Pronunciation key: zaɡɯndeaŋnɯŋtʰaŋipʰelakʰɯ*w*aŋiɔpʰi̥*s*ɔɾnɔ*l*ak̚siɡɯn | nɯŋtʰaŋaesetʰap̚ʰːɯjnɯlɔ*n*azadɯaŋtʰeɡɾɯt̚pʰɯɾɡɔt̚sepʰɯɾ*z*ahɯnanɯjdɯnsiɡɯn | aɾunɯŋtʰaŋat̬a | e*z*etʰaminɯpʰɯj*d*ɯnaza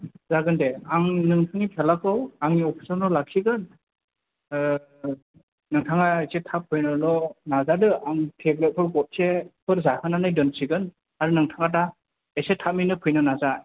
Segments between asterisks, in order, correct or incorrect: correct, correct, correct, correct, correct, incorrect, incorrect

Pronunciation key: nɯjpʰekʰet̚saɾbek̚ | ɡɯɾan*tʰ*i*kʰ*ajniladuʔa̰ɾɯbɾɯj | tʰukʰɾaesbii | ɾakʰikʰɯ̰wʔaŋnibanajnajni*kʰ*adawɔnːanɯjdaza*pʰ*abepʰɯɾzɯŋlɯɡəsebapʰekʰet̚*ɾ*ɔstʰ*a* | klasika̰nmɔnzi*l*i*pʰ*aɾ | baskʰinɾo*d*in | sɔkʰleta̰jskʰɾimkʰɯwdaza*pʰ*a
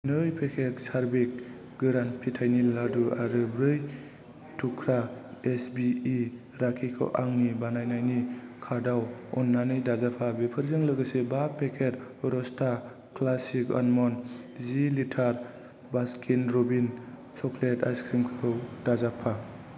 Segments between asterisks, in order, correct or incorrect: incorrect, incorrect, correct, correct, correct, correct, correct, incorrect, incorrect, correct

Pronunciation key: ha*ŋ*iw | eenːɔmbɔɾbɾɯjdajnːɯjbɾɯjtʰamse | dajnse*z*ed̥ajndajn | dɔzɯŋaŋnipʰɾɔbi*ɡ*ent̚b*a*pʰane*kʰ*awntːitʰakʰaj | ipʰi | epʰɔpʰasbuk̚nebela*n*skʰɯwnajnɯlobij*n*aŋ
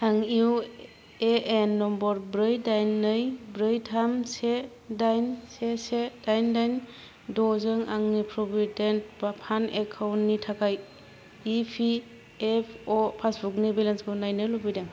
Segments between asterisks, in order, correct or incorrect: correct, incorrect, incorrect, correct, correct, correct, incorrect

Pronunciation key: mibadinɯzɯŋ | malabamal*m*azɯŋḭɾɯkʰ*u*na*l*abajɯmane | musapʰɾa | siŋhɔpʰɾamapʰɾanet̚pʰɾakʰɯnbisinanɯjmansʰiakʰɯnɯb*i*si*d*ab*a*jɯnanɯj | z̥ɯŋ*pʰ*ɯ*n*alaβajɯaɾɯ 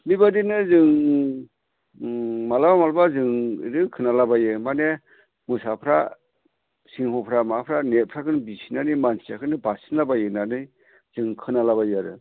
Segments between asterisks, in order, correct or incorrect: incorrect, incorrect, correct, incorrect, incorrect, correct, incorrect, correct

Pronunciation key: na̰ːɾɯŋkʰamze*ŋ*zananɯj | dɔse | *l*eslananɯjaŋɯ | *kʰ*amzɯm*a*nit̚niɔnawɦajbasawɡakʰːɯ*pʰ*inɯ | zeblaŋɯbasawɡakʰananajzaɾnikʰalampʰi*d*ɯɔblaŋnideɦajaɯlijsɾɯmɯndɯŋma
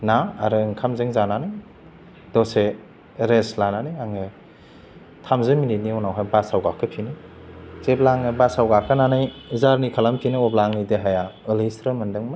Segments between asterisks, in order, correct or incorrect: correct, incorrect, incorrect, incorrect, correct, incorrect

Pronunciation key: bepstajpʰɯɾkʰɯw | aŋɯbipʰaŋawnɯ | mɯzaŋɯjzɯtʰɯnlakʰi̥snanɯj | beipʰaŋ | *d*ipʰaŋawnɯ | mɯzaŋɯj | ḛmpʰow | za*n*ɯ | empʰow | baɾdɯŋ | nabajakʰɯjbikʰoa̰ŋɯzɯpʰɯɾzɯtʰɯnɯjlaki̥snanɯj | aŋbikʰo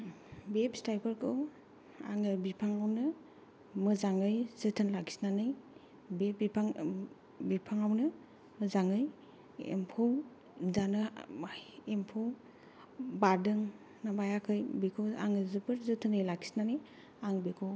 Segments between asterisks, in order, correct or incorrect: incorrect, correct

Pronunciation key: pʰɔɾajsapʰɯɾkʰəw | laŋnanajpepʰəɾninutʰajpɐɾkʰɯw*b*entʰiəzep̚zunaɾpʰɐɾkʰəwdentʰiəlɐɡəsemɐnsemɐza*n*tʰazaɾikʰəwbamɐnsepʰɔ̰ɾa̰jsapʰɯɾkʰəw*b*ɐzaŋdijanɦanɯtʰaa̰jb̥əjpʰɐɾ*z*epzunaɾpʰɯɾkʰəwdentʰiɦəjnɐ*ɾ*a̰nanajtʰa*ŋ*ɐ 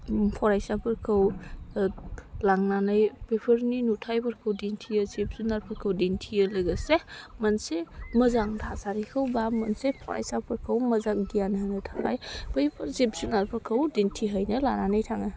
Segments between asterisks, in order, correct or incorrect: incorrect, incorrect, incorrect, correct, incorrect, correct

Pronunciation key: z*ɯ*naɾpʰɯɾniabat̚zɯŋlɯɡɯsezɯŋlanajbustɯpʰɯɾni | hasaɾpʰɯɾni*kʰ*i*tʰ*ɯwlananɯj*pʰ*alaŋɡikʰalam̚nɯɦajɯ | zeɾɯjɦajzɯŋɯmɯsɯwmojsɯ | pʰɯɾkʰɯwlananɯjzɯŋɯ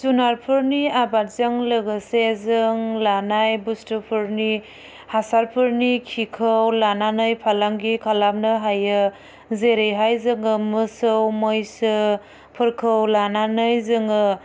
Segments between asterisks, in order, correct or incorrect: incorrect, correct, incorrect, correct

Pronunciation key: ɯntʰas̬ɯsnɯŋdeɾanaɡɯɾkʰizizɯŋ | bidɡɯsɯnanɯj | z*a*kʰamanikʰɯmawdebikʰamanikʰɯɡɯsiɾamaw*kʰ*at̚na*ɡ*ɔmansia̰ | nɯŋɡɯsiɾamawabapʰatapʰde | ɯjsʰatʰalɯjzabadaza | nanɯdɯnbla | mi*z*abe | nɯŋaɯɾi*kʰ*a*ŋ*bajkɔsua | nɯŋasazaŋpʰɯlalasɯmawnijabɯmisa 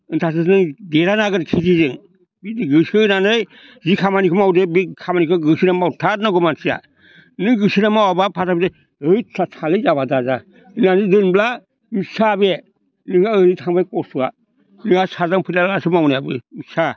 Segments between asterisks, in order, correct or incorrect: incorrect, incorrect, correct, incorrect, incorrect, correct

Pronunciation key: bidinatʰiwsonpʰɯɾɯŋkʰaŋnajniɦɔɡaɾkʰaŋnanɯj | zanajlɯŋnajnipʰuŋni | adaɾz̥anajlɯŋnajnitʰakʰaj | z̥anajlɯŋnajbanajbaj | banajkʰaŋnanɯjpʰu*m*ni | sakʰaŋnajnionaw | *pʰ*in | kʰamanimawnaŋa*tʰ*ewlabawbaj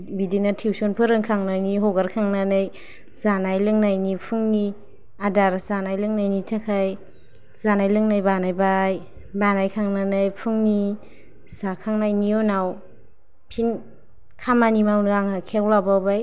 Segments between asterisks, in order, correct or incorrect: incorrect, correct, incorrect

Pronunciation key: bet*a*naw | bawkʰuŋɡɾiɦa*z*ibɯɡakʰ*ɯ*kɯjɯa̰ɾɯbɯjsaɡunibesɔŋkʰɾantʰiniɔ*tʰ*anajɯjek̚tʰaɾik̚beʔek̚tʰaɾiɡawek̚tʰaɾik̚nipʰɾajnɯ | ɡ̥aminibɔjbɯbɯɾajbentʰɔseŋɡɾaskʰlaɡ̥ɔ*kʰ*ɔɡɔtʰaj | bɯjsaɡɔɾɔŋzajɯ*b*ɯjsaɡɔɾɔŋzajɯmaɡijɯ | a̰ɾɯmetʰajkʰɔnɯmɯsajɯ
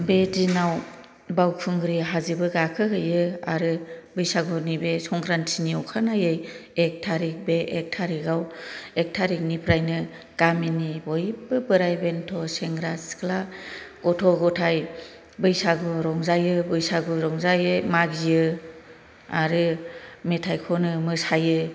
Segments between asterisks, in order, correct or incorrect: incorrect, correct, correct, incorrect, incorrect, correct

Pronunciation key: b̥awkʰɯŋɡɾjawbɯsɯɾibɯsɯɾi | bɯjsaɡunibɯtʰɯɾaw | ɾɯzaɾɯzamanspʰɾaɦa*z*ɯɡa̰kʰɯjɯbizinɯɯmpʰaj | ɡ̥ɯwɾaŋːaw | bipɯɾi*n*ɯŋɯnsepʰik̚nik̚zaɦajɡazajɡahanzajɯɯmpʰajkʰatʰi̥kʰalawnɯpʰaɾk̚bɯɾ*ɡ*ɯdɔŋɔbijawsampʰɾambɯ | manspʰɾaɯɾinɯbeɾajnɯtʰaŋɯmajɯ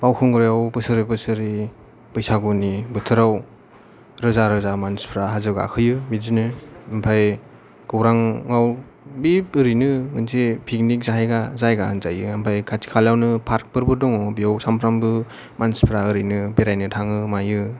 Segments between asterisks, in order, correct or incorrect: correct, correct, incorrect

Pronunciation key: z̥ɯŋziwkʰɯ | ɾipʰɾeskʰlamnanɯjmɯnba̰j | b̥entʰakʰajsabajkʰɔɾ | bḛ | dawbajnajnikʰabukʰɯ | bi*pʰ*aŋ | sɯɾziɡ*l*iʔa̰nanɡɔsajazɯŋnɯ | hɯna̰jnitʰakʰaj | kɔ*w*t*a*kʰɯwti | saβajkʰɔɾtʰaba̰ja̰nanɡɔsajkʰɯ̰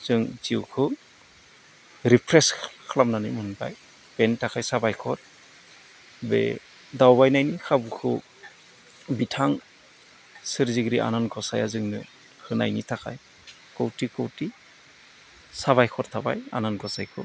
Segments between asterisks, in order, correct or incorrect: incorrect, incorrect, correct, incorrect

